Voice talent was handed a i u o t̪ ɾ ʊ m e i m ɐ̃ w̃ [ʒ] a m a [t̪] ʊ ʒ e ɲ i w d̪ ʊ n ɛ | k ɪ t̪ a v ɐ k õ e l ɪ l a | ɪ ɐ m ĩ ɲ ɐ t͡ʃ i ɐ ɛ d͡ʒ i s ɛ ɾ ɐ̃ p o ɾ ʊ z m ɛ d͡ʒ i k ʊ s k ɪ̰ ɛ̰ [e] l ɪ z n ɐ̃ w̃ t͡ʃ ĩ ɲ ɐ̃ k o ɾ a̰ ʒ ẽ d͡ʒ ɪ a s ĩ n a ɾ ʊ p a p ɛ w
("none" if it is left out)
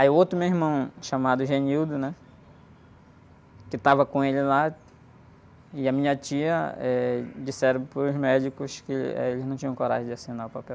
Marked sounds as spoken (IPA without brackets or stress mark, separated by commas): ʃ, d̪, e